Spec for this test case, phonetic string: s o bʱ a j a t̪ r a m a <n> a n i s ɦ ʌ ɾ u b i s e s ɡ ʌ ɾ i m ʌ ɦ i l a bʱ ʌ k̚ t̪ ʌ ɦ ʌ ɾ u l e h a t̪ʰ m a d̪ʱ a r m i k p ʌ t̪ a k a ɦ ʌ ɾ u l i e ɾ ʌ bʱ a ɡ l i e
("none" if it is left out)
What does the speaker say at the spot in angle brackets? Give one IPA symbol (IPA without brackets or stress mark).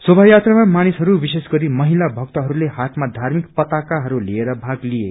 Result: m